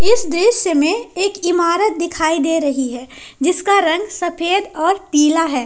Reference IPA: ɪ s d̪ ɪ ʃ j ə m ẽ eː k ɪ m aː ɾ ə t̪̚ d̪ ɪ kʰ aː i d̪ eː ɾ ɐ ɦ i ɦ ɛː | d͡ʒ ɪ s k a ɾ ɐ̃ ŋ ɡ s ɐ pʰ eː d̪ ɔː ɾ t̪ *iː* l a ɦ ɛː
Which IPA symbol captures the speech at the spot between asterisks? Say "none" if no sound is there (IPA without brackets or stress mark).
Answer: iː